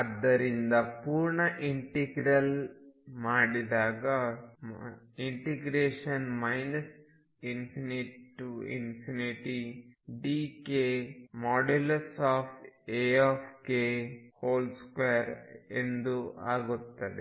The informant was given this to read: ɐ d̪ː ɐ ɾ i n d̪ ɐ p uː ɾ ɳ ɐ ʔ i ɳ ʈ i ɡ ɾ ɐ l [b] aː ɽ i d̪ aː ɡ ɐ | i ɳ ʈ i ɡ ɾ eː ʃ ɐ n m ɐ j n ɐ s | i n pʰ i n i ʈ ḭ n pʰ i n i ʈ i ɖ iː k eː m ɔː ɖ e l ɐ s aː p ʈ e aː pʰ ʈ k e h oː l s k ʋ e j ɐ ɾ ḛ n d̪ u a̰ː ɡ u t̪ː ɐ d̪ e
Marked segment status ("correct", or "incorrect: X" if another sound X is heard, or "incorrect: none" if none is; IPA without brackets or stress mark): incorrect: m